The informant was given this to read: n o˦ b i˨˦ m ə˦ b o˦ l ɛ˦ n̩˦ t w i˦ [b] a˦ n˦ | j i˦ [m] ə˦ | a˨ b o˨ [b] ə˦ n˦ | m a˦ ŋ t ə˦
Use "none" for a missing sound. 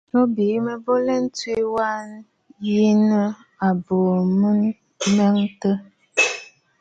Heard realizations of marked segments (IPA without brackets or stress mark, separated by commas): w, n, m